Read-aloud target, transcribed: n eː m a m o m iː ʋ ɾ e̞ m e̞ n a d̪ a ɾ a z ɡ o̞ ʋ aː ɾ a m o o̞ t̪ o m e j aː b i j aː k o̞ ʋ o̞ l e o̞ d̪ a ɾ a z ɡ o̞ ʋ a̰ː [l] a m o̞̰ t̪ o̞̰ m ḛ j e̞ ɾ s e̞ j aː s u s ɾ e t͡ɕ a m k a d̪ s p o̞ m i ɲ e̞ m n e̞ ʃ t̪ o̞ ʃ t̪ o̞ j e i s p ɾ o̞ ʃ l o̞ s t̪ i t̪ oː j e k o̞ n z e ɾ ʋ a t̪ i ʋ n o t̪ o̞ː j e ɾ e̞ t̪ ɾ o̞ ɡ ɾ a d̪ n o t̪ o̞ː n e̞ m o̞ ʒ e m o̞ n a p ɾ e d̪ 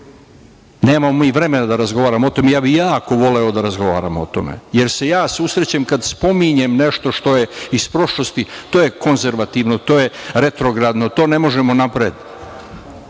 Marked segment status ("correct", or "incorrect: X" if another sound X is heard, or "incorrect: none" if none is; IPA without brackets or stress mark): incorrect: ɾ